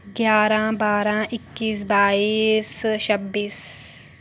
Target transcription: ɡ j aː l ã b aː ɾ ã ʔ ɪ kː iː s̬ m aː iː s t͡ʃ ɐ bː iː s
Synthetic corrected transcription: ɡ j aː ɾ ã b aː ɾ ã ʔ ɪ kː iː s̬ b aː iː s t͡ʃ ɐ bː iː s